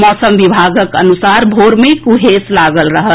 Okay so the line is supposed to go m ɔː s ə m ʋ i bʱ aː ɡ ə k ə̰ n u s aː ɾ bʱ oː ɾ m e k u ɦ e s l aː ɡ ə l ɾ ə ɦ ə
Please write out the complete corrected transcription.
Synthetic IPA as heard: m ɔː s ə m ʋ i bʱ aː ɡ ə k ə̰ n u s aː ɾ bʱ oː ɾ m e k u ɦ e s l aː ɡ ə l ɾ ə ɦ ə